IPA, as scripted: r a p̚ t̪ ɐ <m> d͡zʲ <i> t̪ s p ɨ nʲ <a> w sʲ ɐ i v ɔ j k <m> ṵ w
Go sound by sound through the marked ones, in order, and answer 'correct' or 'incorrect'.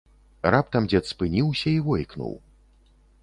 correct, incorrect: ɛ, incorrect: i, incorrect: n

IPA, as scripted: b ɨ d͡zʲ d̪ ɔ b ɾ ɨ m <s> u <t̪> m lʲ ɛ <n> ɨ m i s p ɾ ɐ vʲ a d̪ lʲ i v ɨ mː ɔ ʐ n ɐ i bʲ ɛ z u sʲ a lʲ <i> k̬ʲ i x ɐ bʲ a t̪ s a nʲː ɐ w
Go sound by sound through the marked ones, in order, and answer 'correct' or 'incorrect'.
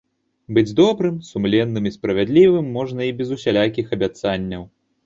correct, incorrect: none, incorrect: nː, incorrect: a

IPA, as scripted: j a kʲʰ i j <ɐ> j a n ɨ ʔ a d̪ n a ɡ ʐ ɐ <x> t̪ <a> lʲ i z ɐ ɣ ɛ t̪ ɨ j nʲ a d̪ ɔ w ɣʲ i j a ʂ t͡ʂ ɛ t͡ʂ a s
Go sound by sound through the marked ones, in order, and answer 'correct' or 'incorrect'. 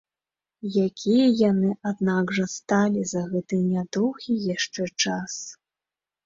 correct, incorrect: s, correct

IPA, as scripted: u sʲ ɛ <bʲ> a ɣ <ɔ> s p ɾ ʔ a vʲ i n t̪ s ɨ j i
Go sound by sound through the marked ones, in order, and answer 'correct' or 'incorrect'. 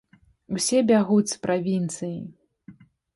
correct, incorrect: u

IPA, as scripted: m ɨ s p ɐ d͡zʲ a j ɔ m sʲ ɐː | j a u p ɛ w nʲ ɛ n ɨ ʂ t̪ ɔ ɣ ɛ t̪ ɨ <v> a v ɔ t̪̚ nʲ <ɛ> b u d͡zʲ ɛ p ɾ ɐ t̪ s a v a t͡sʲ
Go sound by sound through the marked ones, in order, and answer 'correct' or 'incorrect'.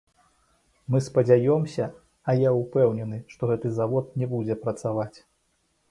incorrect: z, correct

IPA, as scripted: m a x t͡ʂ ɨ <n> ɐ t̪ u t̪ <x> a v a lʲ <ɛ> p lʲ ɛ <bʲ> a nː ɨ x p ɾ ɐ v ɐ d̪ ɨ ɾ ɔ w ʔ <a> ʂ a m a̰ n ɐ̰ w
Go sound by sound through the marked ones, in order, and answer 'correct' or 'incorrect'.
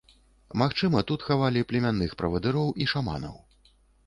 incorrect: m, correct, incorrect: i, incorrect: mʲ, incorrect: i

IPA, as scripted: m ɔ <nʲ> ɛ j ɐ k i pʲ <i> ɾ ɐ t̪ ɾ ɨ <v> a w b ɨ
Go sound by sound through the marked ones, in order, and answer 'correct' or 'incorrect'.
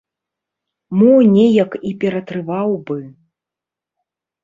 correct, incorrect: ɛ, correct

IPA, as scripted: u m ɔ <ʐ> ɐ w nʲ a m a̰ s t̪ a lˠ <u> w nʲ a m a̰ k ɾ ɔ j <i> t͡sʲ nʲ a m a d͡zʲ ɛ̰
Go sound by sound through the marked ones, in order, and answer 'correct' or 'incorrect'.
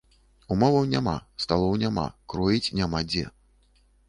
incorrect: v, incorrect: ɔ, correct

